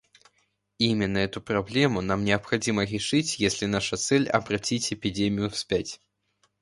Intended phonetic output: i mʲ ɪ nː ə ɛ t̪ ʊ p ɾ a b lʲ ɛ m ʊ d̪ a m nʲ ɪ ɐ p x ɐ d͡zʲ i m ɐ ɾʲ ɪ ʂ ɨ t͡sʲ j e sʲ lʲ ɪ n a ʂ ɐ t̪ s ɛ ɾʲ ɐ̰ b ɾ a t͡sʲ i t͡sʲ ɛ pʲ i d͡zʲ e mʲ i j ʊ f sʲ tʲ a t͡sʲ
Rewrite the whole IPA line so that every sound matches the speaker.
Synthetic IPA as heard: i mʲ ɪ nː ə ɛ t̪ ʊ p ɾ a b lʲ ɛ m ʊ n̪ a m nʲ ɪ ɐ p x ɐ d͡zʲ i m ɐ ɾʲ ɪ ʂ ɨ t͡sʲ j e sʲ lʲ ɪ n a ʂ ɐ t̪ s ɛ lʲ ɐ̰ b ɾ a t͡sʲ i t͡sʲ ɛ pʲ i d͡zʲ e mʲ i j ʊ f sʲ pʲ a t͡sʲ